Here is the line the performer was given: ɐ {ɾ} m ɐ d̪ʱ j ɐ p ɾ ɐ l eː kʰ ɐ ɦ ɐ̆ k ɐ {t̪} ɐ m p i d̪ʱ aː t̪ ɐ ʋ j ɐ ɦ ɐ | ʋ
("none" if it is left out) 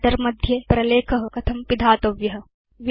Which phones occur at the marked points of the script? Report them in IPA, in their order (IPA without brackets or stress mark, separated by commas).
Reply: ɾ, t̪ʰ